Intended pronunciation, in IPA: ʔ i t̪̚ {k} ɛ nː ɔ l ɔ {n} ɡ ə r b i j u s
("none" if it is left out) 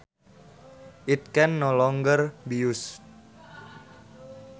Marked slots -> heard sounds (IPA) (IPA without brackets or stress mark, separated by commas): k, ŋ